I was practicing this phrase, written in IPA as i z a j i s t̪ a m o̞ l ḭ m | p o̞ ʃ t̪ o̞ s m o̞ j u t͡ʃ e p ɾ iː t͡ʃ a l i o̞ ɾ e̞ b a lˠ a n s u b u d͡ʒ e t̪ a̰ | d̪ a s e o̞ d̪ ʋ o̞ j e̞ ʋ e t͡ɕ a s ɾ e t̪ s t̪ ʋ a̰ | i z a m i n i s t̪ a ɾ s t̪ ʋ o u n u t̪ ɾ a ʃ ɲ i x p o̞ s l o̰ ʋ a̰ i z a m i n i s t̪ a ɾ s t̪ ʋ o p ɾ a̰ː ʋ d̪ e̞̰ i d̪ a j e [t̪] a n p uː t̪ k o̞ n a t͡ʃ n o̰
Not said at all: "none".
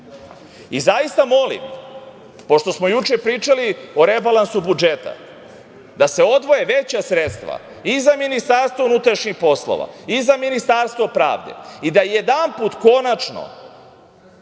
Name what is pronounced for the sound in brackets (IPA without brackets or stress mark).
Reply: d̪